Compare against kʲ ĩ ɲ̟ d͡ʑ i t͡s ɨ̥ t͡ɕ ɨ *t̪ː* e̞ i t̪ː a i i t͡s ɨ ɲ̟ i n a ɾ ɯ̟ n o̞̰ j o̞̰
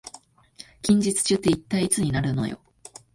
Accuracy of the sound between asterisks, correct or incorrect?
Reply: correct